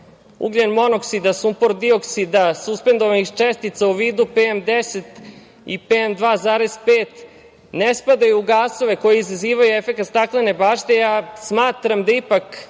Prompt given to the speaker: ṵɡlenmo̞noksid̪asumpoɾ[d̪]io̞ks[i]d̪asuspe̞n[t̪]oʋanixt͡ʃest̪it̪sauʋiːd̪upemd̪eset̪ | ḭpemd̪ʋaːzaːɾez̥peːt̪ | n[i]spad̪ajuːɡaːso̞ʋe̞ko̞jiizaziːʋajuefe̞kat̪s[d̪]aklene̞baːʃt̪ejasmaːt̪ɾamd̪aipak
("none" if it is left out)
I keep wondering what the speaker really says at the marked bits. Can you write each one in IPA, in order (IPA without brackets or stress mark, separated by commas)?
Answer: d̪, i, d̪, e, t̪